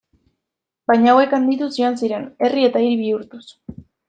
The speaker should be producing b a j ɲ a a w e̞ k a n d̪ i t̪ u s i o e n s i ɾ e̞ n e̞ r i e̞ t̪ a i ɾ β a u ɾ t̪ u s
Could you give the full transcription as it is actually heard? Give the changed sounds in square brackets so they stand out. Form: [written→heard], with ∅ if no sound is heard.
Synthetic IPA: b a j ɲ a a w e̞ k a n d̪ i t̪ u s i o [e→a] n s i ɾ e̞ n e̞ r i e̞ t̪ a i ɾ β [a→i] u ɾ t̪ u s